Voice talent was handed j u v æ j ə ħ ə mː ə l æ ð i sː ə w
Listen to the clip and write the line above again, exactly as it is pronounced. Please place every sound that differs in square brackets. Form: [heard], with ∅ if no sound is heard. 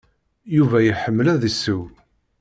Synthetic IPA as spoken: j u v æ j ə ħ ə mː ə l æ ð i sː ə w